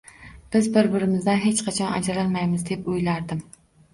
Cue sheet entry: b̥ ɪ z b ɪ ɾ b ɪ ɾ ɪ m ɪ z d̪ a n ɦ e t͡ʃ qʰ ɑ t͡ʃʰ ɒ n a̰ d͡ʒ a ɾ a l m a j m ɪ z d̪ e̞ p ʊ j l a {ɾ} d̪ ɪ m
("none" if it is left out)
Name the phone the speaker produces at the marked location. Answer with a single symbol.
ɾ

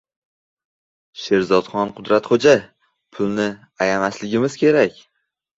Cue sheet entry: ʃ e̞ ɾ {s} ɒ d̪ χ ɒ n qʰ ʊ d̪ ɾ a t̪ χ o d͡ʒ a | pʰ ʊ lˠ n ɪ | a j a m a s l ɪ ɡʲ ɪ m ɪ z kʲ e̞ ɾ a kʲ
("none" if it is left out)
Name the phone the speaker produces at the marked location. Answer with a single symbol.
z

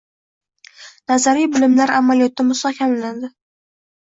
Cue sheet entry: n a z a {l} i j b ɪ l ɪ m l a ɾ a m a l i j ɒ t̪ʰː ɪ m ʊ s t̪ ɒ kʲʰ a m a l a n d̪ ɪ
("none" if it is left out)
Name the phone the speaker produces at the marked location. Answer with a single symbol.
ɾ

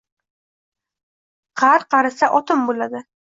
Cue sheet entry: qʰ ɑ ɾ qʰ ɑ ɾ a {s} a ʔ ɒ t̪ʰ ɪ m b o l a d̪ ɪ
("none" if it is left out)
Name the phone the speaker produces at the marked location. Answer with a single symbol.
s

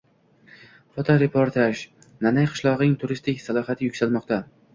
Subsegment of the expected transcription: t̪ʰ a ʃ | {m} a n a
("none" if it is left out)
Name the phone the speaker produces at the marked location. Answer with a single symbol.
n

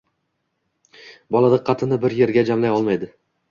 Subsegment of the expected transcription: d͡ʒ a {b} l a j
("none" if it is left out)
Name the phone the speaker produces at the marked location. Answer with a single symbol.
m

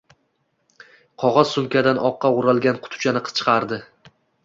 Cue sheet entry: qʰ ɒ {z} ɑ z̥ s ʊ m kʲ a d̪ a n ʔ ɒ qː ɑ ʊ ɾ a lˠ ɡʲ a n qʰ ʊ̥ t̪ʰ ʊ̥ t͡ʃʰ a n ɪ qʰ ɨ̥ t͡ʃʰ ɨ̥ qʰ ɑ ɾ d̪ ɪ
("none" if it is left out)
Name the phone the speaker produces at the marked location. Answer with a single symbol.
ʁ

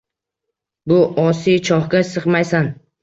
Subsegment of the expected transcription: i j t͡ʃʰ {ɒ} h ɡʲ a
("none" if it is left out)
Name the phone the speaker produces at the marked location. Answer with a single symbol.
ɒ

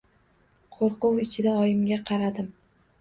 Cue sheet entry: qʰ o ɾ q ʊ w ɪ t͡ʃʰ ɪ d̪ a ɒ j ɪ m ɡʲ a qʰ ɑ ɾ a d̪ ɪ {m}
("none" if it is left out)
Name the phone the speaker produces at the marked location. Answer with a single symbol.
m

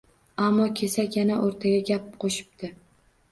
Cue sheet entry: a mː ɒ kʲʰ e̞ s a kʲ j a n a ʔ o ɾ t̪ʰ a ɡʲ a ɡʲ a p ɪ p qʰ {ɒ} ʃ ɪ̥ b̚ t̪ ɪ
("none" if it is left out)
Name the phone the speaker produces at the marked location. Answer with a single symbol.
o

